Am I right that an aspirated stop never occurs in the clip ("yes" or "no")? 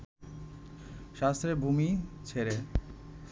no